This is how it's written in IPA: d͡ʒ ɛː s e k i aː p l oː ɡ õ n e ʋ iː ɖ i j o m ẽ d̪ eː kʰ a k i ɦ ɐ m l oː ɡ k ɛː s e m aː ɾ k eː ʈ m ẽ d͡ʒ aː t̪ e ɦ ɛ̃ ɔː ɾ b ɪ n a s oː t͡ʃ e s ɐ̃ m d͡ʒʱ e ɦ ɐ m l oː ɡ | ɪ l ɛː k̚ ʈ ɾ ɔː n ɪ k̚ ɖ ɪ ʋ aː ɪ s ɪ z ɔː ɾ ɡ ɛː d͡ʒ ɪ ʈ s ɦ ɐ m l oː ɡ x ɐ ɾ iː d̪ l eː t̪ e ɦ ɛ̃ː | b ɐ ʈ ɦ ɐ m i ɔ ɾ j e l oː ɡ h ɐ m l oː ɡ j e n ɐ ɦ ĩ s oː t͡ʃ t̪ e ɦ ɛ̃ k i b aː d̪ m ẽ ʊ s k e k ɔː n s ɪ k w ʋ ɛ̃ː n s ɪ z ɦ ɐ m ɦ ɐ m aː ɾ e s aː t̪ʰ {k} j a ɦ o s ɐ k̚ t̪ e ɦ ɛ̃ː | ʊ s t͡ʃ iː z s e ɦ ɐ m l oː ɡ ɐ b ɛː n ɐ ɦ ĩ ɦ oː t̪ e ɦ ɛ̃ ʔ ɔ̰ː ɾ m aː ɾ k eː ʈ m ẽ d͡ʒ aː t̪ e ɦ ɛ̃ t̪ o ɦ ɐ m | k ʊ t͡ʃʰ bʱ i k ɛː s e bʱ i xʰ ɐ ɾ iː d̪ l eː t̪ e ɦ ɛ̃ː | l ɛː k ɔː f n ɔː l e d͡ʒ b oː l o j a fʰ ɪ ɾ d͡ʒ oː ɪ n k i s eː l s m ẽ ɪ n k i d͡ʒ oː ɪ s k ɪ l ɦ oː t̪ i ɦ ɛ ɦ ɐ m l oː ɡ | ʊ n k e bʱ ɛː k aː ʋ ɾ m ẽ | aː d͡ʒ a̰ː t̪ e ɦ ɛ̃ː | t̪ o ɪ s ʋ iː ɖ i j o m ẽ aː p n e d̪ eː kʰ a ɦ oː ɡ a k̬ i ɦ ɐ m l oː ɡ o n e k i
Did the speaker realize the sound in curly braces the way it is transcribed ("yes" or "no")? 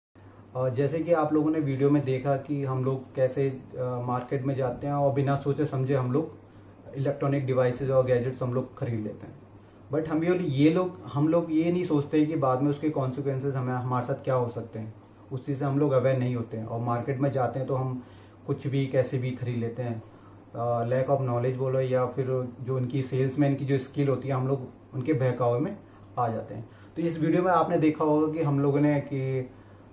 yes